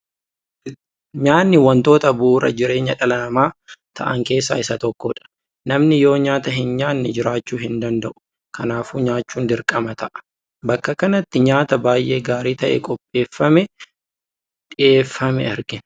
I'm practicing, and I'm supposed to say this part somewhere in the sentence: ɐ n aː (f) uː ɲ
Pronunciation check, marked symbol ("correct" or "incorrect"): correct